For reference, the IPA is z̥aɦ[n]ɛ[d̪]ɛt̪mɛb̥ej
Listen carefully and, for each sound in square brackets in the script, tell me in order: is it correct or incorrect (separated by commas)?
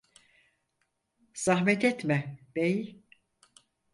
incorrect, incorrect